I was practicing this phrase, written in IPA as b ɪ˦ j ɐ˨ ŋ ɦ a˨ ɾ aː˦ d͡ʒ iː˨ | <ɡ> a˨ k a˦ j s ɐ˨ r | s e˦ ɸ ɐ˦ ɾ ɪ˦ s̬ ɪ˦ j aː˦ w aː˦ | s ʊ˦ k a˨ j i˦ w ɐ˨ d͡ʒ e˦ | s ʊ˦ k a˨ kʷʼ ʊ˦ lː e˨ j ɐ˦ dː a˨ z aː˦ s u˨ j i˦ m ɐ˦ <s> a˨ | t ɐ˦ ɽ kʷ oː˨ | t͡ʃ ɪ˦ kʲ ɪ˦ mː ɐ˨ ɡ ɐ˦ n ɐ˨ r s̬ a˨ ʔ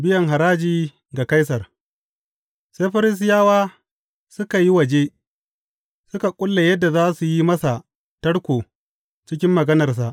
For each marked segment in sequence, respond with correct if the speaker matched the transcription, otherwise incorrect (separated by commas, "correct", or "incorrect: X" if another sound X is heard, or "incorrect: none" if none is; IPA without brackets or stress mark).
correct, correct